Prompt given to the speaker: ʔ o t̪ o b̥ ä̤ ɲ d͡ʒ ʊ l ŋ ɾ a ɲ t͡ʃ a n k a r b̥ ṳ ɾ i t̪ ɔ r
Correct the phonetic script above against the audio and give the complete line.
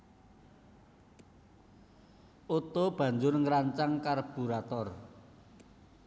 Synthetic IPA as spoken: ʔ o t̪ o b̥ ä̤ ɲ d͡ʒ ʊ r ŋ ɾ a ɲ t͡ʃ a ŋ k a r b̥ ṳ ɾ a t̪ ɔ r